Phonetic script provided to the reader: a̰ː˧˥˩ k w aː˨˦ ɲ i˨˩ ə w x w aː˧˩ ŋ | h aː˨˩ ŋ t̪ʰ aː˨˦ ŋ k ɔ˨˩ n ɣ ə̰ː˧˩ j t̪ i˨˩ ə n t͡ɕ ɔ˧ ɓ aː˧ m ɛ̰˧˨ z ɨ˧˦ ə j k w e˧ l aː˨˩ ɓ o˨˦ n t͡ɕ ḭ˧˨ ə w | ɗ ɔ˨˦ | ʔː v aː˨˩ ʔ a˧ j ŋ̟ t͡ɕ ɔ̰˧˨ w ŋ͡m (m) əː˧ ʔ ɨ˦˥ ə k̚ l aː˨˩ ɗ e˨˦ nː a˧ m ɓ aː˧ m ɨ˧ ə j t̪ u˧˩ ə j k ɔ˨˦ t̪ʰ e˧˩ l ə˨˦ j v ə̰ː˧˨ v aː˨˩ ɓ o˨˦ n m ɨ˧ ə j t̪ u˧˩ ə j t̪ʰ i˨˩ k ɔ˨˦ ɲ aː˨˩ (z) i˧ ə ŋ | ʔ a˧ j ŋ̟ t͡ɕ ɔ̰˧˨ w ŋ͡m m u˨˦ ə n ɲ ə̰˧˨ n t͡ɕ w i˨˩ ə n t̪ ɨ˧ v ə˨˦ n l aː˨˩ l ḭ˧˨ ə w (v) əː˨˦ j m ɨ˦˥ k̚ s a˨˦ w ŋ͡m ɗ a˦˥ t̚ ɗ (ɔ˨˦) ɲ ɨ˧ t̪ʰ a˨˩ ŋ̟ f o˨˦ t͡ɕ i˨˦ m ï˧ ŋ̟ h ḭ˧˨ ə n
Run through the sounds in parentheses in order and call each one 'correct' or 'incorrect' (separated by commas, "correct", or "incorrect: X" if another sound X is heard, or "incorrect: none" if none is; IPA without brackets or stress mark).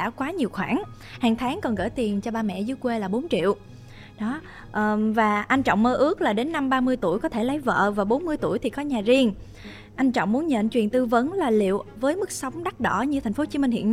correct, correct, correct, incorrect: ɔ˧˩